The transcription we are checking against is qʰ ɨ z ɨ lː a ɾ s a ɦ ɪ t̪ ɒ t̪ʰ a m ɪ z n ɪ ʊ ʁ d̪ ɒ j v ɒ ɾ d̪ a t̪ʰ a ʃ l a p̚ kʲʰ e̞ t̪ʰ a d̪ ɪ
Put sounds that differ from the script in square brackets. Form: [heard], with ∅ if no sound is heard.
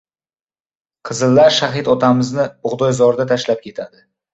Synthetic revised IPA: qʰ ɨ z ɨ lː a ɾ [ʃ] a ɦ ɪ t̪ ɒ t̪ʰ a m ɪ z n ɪ ʊ ʁ d̪ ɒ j [z] ɒ ɾ d̪ a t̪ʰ a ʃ l a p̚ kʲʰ e̞ t̪ʰ a d̪ ɪ